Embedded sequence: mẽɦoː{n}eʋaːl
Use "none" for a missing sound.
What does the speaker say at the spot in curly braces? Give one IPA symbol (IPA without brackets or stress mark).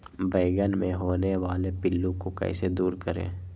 n